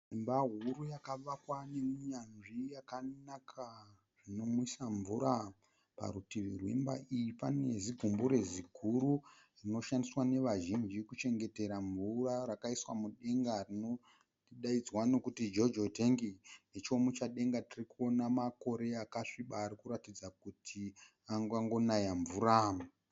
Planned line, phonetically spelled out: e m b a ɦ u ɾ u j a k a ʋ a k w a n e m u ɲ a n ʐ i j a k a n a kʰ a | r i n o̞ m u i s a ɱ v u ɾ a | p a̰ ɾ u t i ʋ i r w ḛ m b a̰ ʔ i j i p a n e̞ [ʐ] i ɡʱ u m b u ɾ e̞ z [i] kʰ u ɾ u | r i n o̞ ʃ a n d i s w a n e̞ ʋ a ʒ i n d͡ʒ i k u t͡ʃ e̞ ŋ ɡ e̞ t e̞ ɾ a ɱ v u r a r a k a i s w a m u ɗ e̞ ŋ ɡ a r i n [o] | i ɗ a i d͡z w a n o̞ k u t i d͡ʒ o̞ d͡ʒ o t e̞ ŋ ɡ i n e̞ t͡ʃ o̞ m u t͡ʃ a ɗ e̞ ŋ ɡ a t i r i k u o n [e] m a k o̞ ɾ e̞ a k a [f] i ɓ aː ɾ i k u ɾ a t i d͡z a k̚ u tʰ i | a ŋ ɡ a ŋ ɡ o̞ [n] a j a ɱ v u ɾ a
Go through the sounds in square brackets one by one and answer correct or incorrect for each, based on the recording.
incorrect: z, correct, correct, incorrect: a, incorrect: ʂ, correct

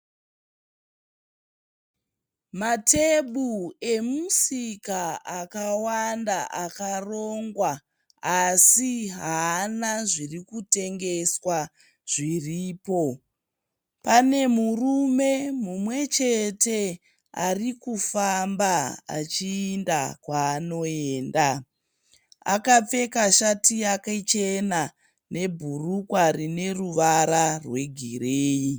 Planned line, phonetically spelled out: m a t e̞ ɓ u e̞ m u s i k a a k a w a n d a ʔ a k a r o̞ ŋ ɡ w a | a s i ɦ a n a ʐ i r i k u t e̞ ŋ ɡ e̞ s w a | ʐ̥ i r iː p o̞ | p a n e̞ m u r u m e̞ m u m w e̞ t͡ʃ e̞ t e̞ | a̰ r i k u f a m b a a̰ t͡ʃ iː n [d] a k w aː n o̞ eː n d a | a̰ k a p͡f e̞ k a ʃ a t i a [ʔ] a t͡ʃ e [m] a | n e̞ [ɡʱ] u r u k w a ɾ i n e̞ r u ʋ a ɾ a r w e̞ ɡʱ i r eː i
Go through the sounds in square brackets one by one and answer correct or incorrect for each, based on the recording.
correct, incorrect: k, incorrect: n, incorrect: bʱ

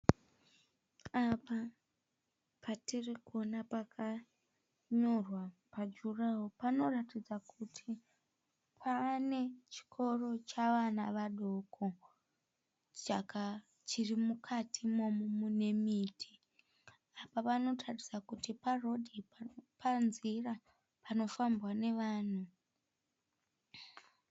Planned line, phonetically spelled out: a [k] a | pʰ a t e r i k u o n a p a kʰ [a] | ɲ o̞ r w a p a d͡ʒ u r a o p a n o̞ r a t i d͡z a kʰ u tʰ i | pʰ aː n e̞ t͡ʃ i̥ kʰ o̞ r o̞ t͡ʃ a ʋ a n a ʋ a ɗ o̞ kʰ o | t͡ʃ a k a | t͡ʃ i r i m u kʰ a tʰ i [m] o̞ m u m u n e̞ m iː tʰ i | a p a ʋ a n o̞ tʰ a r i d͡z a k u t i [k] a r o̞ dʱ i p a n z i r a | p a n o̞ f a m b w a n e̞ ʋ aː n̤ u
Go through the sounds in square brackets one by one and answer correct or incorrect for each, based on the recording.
incorrect: p, correct, correct, incorrect: p

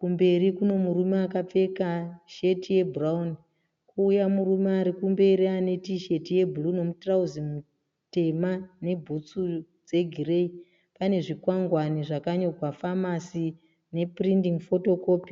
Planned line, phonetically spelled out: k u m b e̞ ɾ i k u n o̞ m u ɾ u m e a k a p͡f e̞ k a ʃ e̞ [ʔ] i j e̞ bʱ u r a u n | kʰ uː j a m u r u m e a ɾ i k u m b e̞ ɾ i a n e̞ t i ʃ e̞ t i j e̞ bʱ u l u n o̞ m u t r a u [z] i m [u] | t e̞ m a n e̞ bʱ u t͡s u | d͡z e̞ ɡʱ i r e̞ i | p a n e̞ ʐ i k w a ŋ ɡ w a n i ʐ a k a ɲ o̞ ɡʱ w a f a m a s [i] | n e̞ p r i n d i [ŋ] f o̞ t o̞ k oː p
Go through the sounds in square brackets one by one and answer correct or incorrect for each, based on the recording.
incorrect: t, correct, correct, correct, correct

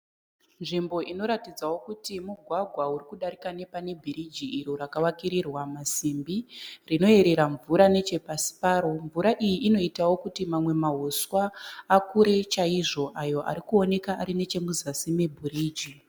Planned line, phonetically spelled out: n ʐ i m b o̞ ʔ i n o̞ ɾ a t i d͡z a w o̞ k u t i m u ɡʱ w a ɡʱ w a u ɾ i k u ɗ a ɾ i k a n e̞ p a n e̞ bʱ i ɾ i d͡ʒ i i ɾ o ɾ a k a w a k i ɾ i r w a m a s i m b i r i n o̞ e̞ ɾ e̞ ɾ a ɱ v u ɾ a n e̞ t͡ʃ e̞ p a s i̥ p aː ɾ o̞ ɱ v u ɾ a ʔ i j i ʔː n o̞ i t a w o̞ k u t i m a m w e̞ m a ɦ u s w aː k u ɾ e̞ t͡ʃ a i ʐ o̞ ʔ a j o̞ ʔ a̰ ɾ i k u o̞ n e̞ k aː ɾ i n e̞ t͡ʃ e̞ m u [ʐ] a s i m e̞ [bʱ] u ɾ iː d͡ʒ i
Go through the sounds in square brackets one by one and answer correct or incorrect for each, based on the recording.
incorrect: z, correct

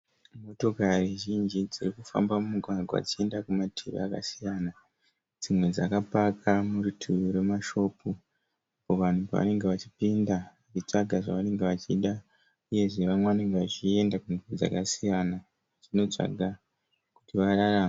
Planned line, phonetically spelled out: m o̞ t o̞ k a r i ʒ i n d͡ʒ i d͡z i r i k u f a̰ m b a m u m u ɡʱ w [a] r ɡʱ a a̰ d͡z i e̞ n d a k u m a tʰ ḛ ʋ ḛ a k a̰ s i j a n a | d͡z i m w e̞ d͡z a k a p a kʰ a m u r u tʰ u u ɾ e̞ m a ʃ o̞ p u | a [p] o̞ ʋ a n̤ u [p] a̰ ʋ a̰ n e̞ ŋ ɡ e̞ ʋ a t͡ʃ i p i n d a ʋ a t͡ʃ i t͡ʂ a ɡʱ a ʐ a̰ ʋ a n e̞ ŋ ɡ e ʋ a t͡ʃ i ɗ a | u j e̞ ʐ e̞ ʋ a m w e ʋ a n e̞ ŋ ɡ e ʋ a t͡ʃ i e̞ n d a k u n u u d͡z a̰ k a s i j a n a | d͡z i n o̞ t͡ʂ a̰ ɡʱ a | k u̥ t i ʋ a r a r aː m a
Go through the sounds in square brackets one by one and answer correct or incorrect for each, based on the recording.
correct, correct, correct

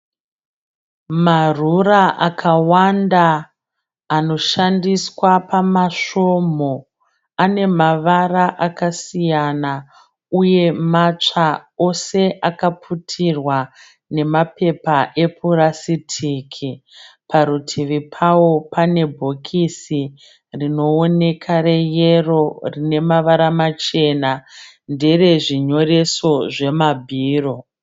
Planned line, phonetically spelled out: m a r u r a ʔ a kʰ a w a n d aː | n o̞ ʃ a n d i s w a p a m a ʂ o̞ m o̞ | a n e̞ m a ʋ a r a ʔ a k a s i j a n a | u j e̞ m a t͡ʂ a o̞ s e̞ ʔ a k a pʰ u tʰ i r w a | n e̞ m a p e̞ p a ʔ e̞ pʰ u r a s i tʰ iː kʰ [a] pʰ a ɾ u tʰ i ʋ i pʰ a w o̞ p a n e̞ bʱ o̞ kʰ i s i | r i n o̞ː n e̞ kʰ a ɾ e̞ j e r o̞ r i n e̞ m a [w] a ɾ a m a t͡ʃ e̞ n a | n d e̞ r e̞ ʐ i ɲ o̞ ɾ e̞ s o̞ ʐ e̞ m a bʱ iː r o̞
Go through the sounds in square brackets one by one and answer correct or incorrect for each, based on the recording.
incorrect: i, incorrect: ʋ

